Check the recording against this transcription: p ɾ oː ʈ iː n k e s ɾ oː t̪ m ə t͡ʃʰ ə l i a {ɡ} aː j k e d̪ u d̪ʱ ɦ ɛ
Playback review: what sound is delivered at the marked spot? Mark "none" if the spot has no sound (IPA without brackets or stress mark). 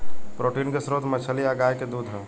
ɡ